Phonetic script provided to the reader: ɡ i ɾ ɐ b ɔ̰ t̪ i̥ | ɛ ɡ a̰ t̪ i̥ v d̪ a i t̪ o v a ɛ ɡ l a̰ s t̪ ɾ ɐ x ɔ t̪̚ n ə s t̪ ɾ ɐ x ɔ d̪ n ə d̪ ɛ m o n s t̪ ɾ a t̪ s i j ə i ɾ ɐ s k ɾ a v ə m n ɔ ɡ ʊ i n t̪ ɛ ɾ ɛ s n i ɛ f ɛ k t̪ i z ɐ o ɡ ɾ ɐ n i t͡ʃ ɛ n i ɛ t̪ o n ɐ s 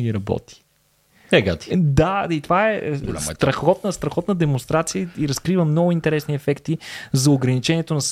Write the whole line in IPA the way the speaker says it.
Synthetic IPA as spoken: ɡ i ɾ ɐ b ɔ̰ t̪ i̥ | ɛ ɡ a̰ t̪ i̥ d̪ a i t̪ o v a ɛ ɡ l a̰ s t̪ ɾ ɐ x ɔ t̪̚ n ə s t̪ ɾ ɐ x ɔ t̪ n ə d̪ ɛ m o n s t̪ ɾ a t̪ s i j ə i ɾ ɐ s k ɾ i v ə m n ɔ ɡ ʊ i n t̪ ɛ ɾ ɛ s n i ɛ f ɛ k t̪ i z ɐ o ɡ ɾ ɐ n i t͡ʃ ɛ n i ɛ t̪ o n ɐ s